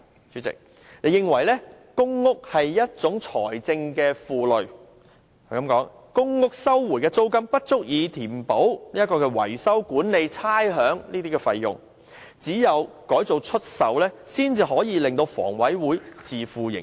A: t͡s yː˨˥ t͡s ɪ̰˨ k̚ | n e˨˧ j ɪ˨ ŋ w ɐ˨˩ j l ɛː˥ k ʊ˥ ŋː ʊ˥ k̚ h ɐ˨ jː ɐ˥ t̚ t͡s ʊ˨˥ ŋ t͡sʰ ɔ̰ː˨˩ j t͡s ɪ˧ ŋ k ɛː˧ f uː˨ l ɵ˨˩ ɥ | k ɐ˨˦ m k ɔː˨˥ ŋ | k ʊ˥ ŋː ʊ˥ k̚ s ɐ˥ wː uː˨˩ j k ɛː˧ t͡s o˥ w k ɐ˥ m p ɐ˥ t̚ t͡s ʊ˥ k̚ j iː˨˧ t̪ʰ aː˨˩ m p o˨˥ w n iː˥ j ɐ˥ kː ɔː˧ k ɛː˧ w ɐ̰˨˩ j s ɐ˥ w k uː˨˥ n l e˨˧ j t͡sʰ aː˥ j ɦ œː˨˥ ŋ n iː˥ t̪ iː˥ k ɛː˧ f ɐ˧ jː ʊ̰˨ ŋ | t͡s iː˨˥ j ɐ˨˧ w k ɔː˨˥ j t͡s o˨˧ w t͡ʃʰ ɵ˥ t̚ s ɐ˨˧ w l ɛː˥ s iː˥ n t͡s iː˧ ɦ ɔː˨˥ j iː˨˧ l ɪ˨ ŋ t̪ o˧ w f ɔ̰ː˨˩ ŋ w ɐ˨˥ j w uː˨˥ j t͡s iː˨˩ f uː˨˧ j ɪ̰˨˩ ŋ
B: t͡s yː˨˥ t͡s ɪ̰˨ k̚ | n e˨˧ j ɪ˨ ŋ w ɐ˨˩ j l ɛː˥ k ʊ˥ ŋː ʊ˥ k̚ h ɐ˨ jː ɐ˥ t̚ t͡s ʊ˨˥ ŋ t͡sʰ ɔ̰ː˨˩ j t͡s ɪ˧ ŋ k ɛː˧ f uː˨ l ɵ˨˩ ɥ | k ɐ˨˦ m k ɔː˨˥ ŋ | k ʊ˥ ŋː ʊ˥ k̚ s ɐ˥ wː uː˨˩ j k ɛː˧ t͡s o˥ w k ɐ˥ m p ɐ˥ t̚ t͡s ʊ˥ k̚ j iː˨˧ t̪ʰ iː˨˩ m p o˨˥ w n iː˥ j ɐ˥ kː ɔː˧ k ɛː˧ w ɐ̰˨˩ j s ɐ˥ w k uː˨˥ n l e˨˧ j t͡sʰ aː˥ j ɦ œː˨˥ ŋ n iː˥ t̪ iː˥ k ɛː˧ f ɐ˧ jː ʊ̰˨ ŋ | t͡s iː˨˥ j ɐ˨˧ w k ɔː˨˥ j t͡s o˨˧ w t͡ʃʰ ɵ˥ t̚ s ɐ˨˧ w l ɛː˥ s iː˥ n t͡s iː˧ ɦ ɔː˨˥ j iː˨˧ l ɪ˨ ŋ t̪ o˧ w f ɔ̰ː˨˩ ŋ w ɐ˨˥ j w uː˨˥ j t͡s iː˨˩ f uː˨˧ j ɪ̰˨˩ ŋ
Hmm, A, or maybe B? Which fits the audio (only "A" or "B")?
B